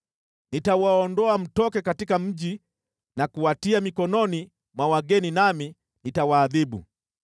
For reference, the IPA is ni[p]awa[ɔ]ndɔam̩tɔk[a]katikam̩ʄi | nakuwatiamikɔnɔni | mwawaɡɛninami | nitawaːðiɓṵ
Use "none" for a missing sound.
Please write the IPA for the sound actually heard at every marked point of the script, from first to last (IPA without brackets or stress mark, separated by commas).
t, ɔ, ɛ